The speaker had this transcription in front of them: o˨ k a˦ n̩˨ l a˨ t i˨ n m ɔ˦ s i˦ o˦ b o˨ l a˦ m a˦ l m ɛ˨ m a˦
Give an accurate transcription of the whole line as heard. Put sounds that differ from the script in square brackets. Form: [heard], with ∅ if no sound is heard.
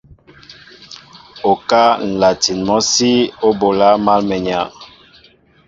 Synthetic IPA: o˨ k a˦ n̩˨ l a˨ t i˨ n m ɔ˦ s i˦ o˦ b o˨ l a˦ m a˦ l m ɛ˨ [ɲ] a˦